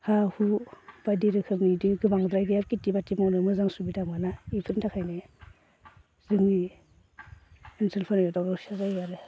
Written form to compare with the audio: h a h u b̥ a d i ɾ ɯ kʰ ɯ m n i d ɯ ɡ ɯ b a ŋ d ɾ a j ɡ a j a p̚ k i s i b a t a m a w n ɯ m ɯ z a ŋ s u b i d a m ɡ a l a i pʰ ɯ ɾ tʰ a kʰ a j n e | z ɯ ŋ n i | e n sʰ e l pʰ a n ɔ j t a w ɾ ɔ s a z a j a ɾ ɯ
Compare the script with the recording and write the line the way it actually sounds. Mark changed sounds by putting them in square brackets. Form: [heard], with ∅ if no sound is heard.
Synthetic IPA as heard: h a h u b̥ a d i ɾ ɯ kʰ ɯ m n i d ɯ ɡ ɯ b a ŋ d ɾ a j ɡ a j a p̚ k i [t] i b a t [i] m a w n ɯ m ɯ z a ŋ s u b i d a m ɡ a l a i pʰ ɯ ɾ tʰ a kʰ a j n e | z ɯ ŋ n i | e n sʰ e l pʰ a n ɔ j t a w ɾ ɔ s a z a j a ɾ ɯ